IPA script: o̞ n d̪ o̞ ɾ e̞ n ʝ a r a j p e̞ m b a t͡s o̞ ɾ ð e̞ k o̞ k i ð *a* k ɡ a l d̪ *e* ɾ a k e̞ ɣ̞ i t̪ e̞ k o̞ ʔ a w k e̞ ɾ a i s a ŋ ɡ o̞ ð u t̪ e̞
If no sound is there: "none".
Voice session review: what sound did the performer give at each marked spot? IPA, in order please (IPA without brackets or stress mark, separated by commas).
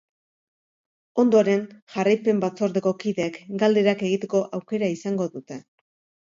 e, e